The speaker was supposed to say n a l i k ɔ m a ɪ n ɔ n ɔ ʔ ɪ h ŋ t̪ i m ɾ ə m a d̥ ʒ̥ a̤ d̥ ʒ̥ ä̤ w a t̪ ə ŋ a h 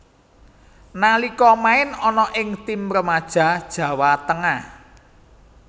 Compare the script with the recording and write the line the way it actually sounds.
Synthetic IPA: n a l i k ɔ m a ɪ n ɔ n ɔ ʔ ɪ ŋ t̪ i m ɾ ə m a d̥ ʒ̥ a̤ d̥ ʒ̥ ä̤ w a t̪ ə ŋ a h